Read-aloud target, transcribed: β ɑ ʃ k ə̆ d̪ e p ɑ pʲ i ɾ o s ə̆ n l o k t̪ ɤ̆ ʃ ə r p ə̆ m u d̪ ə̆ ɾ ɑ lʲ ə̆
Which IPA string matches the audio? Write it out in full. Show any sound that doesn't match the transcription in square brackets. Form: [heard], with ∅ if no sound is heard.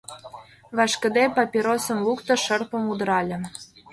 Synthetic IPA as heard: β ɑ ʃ k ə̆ d̪ e p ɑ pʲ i ɾ o s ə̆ [m] l [u] k t̪ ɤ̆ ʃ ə r p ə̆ m u d̪ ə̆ ɾ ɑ lʲ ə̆